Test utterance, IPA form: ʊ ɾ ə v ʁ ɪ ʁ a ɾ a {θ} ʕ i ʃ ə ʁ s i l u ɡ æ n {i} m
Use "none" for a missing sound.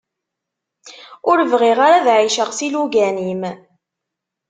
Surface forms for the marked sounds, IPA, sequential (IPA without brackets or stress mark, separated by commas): ð, i